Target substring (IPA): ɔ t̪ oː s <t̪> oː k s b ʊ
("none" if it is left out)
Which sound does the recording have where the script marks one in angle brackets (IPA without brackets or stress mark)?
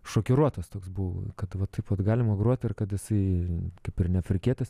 t̪